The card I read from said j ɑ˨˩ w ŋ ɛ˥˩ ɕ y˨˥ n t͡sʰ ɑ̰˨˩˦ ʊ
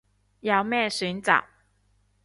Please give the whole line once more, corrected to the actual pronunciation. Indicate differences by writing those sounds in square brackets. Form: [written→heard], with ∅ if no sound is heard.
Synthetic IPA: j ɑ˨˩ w [ŋ→m] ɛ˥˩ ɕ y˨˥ n [t͡sʰ→t͡s] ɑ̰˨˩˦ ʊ